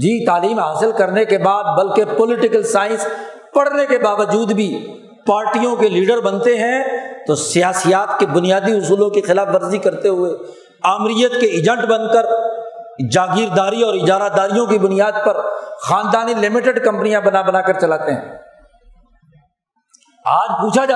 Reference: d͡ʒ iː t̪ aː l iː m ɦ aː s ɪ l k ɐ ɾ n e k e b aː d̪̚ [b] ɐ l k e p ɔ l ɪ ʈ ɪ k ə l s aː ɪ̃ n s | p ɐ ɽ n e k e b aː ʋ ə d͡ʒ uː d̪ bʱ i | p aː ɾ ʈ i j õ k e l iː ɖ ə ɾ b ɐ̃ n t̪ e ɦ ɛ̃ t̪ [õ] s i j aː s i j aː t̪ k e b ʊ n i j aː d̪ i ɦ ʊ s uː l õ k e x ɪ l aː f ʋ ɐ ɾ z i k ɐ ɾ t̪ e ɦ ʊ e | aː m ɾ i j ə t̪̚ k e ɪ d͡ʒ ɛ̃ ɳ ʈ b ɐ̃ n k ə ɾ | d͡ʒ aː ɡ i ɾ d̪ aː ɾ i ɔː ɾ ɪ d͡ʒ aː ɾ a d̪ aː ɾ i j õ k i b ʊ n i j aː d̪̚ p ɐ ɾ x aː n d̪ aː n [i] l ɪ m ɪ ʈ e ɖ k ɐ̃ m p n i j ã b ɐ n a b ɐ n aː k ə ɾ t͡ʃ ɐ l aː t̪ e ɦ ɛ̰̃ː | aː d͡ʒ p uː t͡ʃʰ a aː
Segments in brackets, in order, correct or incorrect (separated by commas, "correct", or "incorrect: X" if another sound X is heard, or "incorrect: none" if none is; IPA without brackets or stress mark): correct, incorrect: o, correct